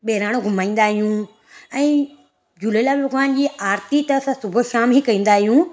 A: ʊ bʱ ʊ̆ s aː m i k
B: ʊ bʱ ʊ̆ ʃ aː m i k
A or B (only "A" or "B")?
B